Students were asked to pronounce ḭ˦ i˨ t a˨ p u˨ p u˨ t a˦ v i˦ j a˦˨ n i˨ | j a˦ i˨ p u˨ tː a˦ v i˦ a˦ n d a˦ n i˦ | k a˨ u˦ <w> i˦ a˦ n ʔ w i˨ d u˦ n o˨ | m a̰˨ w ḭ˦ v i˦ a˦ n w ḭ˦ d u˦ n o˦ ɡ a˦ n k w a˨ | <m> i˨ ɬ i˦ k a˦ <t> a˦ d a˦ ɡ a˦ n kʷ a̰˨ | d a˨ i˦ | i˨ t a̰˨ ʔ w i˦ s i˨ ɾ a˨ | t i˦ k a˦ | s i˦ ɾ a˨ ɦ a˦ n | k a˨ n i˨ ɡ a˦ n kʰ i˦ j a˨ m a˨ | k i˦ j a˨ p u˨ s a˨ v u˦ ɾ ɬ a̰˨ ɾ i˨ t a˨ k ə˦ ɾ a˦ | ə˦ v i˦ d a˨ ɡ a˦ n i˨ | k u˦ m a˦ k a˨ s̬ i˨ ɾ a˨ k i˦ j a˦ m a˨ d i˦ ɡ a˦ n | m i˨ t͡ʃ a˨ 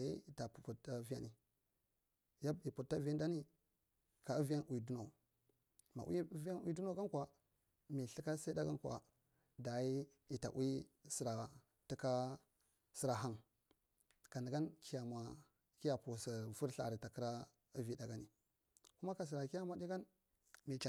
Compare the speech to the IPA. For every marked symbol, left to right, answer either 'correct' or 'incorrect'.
incorrect: v, correct, incorrect: s

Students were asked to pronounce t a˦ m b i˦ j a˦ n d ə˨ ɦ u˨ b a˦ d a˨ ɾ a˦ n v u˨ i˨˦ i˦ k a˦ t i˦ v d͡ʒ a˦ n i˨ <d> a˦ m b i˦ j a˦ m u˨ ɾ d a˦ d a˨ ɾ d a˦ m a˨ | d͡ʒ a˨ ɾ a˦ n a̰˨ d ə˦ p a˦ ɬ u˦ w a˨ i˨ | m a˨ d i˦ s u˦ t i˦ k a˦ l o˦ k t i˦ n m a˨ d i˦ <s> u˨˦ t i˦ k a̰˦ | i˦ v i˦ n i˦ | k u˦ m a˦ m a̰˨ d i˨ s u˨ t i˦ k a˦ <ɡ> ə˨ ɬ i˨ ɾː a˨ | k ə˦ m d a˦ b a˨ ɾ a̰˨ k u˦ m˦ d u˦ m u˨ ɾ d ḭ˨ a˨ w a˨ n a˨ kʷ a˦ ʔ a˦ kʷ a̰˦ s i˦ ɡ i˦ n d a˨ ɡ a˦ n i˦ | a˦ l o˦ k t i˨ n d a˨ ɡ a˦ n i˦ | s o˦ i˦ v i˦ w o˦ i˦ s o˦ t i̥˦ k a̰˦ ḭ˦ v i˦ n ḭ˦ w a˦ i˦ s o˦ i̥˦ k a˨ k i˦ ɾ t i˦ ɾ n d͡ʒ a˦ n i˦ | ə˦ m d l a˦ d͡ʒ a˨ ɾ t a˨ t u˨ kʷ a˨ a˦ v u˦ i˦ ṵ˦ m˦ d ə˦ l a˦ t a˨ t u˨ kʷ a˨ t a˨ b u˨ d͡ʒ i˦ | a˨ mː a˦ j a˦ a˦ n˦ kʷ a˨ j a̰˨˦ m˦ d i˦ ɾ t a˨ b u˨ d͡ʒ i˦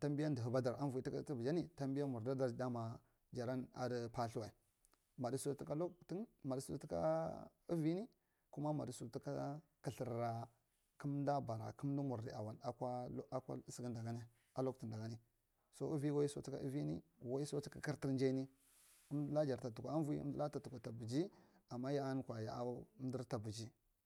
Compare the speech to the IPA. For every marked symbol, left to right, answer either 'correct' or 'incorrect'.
incorrect: t, correct, incorrect: k

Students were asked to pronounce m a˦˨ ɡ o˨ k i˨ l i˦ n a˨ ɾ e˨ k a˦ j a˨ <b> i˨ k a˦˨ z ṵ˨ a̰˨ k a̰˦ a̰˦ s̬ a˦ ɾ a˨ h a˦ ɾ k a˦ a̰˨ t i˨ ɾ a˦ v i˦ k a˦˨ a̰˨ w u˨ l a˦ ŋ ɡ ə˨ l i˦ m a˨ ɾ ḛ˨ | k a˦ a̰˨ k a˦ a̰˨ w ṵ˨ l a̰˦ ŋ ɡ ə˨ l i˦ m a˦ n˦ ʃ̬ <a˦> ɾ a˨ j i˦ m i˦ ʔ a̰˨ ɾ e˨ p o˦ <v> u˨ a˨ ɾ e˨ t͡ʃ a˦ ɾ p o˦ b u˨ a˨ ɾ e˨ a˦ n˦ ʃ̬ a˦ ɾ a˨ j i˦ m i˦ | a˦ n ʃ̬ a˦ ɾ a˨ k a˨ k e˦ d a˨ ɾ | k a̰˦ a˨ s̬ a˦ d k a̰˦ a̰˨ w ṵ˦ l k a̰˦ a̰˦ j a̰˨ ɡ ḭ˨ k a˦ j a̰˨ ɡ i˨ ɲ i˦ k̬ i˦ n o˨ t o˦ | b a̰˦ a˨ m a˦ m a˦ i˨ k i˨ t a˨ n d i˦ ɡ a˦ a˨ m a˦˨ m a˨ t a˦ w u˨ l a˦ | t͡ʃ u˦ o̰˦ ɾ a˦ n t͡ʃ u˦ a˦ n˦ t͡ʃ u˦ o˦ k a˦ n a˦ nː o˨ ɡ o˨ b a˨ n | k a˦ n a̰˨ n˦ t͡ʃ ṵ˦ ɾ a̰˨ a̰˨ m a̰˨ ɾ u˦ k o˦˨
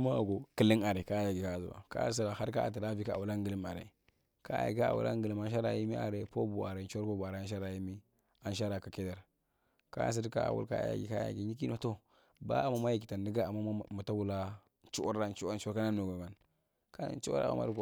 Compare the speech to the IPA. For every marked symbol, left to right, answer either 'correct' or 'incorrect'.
incorrect: ɡ, correct, incorrect: b

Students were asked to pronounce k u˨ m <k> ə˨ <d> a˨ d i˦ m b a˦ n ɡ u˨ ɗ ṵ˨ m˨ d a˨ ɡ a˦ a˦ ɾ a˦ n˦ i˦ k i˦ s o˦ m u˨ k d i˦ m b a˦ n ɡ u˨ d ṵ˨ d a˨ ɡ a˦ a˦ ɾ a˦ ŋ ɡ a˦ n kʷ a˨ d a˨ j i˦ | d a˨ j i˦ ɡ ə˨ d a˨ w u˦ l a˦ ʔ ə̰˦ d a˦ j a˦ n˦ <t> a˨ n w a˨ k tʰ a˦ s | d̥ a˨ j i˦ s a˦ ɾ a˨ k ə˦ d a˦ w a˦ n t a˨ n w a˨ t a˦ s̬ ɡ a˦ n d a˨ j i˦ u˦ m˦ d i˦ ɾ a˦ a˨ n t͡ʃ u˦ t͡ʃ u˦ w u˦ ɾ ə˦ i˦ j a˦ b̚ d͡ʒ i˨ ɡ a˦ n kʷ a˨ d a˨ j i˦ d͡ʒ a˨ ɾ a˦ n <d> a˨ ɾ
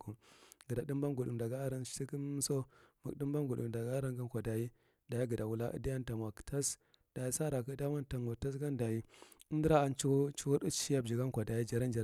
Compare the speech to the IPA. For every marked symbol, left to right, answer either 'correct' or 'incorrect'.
incorrect: ɡ, correct, correct, incorrect: d͡ʒ

